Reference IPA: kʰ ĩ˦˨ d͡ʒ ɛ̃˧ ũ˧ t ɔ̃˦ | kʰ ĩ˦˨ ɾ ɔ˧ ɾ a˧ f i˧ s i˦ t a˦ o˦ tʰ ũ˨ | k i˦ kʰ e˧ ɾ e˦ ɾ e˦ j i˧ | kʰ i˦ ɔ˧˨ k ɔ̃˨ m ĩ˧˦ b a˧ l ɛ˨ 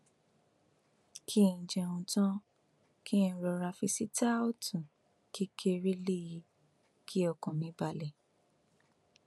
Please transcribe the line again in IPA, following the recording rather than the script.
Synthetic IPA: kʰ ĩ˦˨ d͡ʒ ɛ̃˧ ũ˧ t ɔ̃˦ | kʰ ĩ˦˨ ɾ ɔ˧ ɾ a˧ f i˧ s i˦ t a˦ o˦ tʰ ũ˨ | k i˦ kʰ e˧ ɾ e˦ l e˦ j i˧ | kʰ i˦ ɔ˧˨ k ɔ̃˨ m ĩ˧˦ b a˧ l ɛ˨